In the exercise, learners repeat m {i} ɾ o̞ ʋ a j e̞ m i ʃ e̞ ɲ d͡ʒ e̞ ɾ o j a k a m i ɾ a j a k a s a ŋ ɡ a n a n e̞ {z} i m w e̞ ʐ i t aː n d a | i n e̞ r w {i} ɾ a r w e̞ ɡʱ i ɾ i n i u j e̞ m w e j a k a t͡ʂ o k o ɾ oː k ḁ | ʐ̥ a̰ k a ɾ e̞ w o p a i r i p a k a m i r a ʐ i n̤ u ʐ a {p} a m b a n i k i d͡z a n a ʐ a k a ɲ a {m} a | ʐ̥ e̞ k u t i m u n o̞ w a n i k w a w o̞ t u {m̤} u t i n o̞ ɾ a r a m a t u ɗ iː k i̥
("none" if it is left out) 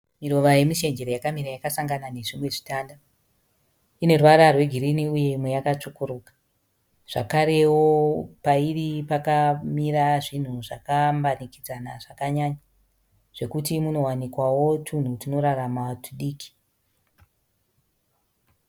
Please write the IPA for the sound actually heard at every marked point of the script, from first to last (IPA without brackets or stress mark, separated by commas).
i, ʐ, a, k, ɲ, n̤